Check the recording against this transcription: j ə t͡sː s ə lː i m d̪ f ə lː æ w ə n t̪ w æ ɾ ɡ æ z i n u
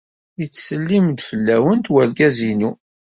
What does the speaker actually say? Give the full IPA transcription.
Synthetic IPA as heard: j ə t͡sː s ə lː i m d̪ f ə lː æ w ə n t̪ w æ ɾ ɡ æ z i n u